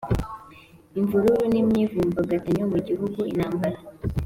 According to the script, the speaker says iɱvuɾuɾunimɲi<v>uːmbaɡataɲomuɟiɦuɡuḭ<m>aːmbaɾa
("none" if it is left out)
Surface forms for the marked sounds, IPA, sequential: v, n

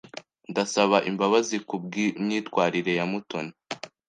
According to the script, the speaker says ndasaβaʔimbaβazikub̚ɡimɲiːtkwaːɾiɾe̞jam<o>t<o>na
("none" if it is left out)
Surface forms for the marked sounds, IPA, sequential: u, o

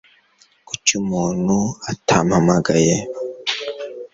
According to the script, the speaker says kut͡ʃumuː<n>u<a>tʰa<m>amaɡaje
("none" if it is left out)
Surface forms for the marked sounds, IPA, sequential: n, a, m

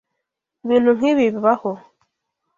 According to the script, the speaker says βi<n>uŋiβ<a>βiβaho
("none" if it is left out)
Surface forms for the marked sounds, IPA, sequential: n, i

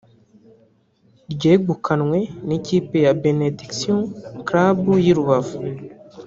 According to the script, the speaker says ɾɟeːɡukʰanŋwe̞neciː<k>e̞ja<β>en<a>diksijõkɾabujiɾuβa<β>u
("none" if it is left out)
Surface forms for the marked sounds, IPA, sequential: p, b, e, v

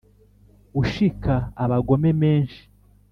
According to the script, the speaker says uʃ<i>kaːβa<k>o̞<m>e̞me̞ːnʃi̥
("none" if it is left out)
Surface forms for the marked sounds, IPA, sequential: i, ɡ, m

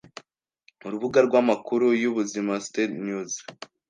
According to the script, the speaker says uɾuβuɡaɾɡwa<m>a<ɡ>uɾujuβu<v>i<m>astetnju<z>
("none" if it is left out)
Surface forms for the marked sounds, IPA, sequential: m, k, z, m, z

